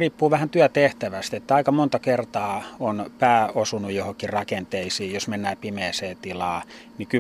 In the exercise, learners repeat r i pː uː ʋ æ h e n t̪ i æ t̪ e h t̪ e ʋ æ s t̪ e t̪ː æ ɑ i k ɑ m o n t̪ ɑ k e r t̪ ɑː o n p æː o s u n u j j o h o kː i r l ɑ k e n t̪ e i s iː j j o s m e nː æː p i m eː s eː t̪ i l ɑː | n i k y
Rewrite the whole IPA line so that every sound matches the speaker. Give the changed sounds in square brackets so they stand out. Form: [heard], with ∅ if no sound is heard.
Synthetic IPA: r [iː] pː uː ʋ æ h [æ] n t̪ [y] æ t̪ e h t̪ [æ] ʋ æ s t̪ e t̪ː æ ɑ i k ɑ m o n t̪ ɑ k e r t̪ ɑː o n p æː o s u n u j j o h o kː i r [r] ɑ k e n t̪ e i s iː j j o s m e nː æː p i m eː s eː t̪ i l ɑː | n i k y